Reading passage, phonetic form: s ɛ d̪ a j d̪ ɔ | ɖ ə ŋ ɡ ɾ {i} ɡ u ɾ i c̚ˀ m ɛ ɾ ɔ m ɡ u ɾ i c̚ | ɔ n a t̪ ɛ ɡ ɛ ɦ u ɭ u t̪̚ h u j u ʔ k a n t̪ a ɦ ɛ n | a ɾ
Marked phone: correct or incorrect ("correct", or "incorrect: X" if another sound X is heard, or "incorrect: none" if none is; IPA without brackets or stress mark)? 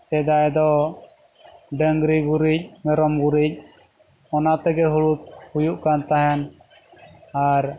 correct